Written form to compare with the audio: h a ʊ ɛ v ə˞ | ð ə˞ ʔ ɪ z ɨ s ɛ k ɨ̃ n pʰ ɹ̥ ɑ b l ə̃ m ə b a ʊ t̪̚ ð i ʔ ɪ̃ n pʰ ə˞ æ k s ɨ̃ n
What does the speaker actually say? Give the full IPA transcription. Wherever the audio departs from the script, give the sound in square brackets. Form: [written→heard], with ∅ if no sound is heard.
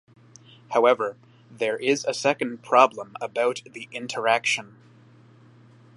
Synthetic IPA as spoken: h a ʊ ɛ v ə˞ | ð ə˞ ʔ ɪ z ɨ s ɛ k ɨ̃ n pʰ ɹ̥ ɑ b l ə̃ m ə b a ʊ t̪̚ ð i ʔ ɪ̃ n [pʰ→tʰ] ə˞ æ k [s→ʃ] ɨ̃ n